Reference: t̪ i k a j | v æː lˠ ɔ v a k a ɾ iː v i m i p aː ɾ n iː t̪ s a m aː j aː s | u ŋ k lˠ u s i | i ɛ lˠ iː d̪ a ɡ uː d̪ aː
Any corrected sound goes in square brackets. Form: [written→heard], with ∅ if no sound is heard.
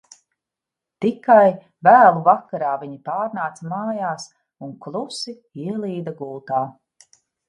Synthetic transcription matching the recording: t̪ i k a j | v æː lˠ [ɔ→u] v a k a ɾ [iː→aː] v i [m→ɲ] i p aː ɾ n [iː→aː] t̪ s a m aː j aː s | u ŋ k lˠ u s i | i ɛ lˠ iː d̪ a ɡ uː [d̪→t̪] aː